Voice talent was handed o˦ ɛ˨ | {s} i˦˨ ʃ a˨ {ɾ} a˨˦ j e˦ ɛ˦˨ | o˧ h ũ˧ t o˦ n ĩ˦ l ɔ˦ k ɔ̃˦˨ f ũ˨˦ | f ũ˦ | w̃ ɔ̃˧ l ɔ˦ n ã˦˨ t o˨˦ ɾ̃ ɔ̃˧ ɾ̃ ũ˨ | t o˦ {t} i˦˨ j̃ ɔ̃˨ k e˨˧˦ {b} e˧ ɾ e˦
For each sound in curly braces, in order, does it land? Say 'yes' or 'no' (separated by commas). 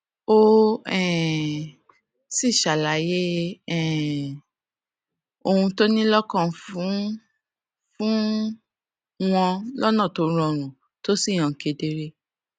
yes, no, no, no